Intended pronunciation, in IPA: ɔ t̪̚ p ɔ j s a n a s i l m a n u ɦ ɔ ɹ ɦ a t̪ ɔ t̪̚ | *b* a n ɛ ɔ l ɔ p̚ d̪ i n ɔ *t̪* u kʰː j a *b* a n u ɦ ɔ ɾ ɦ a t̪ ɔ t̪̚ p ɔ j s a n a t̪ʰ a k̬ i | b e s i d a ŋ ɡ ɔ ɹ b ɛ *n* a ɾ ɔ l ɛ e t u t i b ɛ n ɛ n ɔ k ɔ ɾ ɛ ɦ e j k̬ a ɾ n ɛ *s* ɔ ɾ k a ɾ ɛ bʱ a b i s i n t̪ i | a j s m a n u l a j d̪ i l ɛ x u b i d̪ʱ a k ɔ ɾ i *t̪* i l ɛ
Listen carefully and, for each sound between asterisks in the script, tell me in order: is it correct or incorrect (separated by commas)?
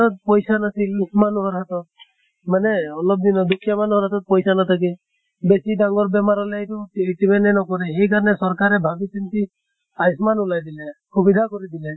incorrect, incorrect, incorrect, incorrect, correct, incorrect